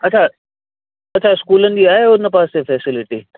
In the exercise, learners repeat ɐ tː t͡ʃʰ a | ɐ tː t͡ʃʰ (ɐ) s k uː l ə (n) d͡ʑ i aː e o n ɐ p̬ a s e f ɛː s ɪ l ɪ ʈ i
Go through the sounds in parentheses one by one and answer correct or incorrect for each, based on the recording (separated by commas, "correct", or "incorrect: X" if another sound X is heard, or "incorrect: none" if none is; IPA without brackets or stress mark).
incorrect: a, correct